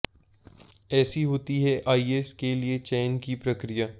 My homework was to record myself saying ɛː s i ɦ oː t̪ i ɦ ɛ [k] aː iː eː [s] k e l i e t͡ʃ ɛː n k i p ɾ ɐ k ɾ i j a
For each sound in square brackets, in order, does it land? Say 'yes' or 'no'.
no, yes

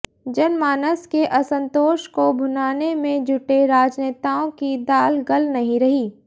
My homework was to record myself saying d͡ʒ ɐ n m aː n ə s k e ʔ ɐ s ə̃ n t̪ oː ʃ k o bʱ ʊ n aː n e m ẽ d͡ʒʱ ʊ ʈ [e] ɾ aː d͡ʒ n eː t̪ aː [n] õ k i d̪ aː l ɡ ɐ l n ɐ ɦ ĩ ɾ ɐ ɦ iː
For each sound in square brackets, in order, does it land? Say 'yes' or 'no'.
yes, no

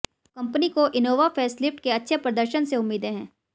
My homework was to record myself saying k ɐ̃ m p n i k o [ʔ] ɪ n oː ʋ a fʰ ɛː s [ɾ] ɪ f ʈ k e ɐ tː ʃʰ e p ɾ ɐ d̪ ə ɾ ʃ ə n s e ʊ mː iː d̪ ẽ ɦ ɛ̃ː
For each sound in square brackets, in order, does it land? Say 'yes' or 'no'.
yes, no

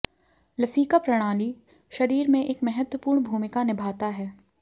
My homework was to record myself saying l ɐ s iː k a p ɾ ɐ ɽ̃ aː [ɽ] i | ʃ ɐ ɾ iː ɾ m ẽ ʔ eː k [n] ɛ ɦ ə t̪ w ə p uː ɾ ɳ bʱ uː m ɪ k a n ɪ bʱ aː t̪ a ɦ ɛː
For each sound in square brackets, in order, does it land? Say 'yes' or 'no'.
no, no

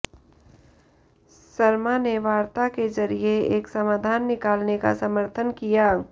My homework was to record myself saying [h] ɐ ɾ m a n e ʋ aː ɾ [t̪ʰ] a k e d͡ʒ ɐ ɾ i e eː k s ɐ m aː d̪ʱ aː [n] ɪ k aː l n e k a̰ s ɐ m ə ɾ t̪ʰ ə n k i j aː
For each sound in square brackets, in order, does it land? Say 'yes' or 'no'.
no, no, no

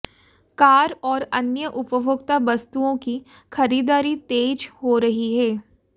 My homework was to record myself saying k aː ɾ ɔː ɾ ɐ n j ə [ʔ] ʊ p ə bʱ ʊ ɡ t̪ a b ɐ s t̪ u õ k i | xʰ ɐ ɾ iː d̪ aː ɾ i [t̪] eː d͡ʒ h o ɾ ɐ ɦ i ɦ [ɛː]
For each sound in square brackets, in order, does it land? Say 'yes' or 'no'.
yes, yes, yes

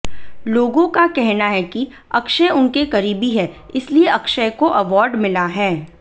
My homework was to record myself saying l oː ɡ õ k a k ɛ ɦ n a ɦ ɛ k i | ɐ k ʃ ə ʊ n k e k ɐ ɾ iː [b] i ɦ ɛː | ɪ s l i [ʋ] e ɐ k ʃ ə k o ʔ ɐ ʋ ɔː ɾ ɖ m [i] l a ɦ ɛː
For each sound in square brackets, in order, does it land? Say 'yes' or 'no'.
yes, no, no

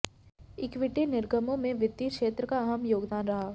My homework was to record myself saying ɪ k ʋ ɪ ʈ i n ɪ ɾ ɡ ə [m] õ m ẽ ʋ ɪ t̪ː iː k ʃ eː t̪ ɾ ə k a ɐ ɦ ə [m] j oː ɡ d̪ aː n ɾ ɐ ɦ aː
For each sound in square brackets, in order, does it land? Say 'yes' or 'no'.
yes, yes

